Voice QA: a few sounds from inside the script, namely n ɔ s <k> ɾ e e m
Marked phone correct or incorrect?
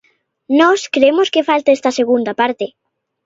correct